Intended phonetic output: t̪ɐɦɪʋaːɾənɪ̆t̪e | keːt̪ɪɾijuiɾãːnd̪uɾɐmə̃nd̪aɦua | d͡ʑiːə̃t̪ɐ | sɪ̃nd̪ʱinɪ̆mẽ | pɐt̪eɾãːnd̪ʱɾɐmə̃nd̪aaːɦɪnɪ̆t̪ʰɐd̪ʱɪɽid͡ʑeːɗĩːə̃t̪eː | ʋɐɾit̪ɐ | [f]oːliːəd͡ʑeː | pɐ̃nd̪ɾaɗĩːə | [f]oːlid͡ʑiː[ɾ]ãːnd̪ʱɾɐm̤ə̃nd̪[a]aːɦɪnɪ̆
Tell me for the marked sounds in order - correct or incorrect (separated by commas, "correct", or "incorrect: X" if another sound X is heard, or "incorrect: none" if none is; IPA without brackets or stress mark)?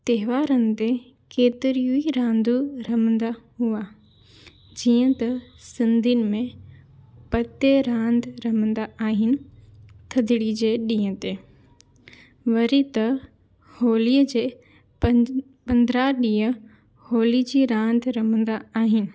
incorrect: h, incorrect: h, correct, correct